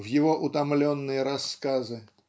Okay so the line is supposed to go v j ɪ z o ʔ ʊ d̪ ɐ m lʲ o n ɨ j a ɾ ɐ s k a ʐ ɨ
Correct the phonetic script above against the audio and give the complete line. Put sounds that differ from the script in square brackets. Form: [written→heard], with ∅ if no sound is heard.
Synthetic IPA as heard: v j ɪ [z→v] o ʔ ʊ [d̪→t̪] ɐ m lʲ o [n→nː] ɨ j [a→ə] ɾ ɐ s k a [ʐ→z] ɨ